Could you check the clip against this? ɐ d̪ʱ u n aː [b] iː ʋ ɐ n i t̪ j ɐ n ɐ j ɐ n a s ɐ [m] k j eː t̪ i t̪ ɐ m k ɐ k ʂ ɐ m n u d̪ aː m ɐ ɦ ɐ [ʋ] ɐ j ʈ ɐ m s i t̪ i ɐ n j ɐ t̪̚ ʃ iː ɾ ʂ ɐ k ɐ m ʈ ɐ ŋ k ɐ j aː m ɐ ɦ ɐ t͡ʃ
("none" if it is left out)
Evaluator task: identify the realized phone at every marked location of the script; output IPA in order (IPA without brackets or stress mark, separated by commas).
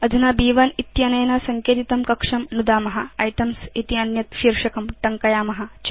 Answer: b, ŋ, none